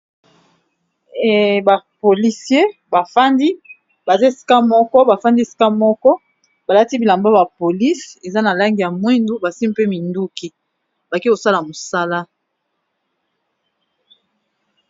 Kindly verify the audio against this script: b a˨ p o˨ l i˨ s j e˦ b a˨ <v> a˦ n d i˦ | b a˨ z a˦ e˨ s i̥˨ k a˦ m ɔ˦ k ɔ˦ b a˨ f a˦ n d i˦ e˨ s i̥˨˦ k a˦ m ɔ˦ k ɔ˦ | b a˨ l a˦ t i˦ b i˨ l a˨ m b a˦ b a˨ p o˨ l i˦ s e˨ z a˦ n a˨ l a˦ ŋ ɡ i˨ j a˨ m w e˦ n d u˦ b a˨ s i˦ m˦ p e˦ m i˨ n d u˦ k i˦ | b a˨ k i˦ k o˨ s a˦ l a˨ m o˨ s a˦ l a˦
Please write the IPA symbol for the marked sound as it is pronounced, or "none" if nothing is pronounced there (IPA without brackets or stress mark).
f